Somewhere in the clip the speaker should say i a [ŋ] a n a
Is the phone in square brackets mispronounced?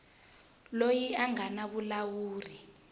no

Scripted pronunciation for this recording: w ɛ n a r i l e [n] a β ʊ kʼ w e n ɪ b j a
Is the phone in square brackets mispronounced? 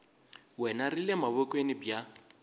yes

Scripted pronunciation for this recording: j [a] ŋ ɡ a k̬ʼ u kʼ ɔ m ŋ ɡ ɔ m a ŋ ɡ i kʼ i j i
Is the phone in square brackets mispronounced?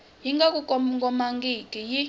yes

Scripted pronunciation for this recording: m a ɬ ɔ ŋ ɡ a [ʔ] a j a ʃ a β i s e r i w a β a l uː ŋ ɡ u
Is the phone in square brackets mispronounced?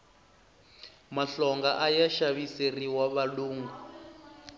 no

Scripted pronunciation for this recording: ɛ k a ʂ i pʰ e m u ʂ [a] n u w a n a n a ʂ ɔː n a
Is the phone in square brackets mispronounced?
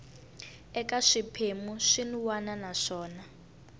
yes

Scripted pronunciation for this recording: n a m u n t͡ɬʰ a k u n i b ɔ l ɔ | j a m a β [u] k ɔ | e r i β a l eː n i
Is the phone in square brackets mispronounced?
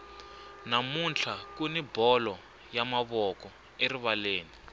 yes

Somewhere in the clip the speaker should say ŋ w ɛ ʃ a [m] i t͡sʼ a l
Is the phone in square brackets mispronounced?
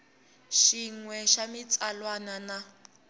no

